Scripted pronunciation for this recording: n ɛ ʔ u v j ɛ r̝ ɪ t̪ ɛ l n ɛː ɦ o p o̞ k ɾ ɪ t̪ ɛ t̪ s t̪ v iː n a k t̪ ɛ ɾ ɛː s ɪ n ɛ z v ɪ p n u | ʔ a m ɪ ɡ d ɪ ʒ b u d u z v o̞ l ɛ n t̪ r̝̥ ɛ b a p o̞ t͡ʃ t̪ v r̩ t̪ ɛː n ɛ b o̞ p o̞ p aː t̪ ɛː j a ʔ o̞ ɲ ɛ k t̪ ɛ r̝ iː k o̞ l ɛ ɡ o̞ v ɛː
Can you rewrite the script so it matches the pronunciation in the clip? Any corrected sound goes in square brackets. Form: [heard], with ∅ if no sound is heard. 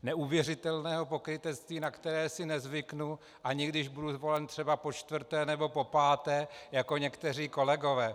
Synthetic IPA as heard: n ɛ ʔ u v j ɛ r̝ ɪ t̪ ɛ l n ɛː ɦ o p o̞ k ɾ ɪ t̪ ɛ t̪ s t̪ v iː n a k t̪ ɛ ɾ ɛː s ɪ n ɛ z v ɪ [k] n u | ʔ a [ɲ] ɪ ɡ d ɪ ʒ b u d u z v o̞ l ɛ n t̪ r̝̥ ɛ b a p o̞ t͡ʃ t̪ v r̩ t̪ ɛː n ɛ b o̞ p o̞ p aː t̪ ɛː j a [k] o̞ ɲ ɛ k t̪ ɛ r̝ iː k o̞ l ɛ ɡ o̞ v ɛː